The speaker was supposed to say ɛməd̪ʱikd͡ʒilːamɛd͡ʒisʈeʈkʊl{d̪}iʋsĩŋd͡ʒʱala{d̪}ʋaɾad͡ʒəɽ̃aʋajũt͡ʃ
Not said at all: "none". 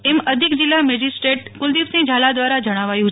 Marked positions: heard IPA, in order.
d̪, d̪

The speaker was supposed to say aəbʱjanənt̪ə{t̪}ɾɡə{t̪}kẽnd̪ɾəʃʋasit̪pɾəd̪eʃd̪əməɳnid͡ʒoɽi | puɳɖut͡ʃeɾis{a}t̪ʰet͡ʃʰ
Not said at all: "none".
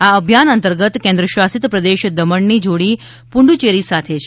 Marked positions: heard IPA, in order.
none, t̪, a

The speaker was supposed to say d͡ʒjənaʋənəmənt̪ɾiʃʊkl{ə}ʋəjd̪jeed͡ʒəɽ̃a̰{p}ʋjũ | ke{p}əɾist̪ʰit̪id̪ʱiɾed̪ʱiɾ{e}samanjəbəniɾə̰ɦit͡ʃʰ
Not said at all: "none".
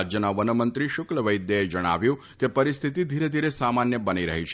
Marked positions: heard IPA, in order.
ə, none, p, e

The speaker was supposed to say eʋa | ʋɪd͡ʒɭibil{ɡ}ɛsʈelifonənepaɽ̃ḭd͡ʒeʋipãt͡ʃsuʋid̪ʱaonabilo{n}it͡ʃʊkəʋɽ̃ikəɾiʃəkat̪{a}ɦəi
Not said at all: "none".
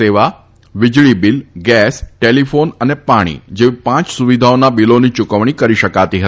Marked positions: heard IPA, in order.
ɡ, n, i

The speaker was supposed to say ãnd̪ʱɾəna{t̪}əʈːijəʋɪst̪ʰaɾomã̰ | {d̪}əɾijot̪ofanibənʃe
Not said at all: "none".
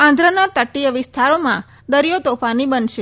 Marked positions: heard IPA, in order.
t̪, d̪

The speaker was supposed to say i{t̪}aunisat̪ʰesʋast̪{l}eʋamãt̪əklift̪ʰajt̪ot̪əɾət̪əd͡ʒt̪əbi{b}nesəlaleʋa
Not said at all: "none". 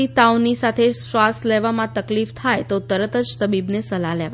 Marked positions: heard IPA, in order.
t̪, l, b

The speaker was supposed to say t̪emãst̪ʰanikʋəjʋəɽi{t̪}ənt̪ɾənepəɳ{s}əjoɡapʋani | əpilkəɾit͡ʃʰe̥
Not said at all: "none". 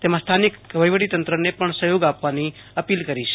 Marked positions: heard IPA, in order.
t̪, s

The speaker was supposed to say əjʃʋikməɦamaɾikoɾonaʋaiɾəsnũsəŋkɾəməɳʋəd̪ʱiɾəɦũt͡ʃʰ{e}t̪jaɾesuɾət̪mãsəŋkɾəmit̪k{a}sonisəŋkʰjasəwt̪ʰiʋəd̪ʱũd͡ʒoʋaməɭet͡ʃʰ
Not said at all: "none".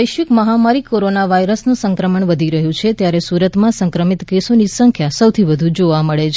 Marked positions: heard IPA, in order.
e, e

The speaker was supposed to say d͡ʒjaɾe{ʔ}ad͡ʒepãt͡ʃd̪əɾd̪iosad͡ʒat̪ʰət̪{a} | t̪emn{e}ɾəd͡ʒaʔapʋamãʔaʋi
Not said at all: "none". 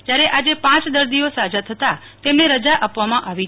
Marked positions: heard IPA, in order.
ʔ, a, e

